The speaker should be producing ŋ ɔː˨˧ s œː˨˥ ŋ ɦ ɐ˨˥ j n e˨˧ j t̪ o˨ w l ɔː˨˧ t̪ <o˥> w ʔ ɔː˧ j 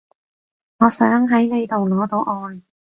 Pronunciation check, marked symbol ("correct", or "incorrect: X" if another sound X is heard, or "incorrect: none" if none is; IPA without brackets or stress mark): incorrect: o˧